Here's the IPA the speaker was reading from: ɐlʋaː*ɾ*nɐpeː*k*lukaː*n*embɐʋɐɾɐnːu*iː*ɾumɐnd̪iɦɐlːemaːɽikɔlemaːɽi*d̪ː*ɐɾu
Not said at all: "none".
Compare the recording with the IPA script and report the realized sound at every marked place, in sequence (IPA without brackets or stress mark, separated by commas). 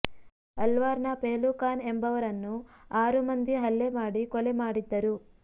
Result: ɾ, none, n, aː, d̪ː